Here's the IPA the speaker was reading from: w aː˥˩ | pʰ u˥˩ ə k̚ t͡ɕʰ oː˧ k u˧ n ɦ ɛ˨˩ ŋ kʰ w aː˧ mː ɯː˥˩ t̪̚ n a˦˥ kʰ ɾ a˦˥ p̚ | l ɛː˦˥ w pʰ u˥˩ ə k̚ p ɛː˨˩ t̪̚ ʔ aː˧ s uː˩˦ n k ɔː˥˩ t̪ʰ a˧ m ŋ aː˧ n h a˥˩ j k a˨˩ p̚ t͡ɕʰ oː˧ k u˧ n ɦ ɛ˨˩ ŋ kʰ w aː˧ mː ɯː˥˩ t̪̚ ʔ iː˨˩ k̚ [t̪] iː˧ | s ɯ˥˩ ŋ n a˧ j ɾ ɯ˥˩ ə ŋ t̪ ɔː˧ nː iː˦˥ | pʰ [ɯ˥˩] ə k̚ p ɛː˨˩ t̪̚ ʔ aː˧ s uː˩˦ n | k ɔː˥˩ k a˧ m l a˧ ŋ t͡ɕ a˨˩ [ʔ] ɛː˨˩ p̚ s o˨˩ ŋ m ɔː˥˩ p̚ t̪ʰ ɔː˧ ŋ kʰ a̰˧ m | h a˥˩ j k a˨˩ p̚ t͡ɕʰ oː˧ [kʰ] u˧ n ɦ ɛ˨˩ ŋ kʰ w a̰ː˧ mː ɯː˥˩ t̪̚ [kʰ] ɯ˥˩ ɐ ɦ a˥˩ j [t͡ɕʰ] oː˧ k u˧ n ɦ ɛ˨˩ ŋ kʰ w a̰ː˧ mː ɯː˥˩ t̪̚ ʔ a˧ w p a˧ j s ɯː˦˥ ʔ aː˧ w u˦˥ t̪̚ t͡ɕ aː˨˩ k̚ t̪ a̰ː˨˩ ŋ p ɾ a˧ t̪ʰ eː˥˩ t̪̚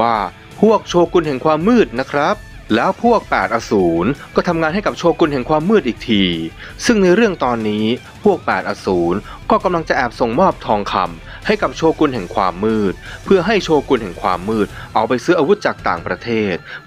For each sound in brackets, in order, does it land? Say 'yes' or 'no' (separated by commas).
no, no, yes, no, no, yes